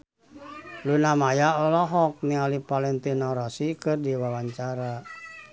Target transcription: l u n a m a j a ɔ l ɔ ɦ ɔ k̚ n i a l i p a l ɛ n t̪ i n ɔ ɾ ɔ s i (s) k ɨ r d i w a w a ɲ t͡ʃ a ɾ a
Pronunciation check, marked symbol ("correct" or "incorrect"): incorrect